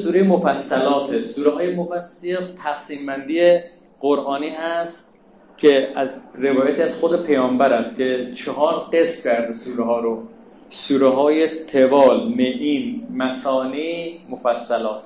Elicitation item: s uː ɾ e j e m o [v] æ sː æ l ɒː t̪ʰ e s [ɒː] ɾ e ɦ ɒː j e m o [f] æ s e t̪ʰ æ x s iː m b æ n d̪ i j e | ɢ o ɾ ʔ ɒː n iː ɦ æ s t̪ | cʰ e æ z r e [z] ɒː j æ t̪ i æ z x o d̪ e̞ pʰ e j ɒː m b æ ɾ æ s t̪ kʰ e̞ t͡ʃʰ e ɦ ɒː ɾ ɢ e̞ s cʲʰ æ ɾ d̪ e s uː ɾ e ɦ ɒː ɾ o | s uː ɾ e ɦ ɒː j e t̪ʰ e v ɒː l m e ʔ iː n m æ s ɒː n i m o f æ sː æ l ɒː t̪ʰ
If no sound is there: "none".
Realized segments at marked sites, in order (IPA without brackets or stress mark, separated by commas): f, uː, f, v